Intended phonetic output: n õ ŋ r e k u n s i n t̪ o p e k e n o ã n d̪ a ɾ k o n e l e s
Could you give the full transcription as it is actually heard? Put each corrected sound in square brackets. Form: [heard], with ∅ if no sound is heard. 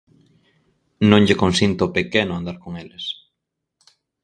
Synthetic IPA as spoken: n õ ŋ [ʎ] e k [o] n s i n t̪ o p e k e n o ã n d̪ a ɾ k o [ŋ] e l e s